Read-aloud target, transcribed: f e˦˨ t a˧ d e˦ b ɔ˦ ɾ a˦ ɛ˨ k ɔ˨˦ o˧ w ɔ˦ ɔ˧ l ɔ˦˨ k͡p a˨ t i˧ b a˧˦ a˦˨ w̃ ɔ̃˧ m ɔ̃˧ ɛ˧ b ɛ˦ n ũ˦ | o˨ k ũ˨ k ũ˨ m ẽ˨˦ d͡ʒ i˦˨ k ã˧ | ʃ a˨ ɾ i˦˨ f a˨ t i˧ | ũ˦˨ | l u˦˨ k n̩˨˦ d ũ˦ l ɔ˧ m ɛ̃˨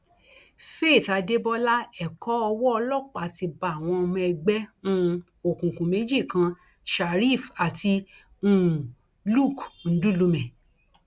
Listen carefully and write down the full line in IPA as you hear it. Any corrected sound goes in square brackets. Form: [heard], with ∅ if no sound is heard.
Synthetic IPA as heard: f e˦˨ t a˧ d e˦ b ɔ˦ [l] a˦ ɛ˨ k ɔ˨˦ [ɔ˧] w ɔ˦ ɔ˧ l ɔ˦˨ k͡p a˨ t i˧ b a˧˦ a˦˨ w̃ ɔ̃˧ m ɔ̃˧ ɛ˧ [ɡ͡b] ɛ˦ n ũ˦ | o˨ k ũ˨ k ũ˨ m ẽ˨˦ d͡ʒ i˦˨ k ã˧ | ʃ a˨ ɾ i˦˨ f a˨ t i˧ | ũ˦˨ | l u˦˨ k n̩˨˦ d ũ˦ l [u˧] m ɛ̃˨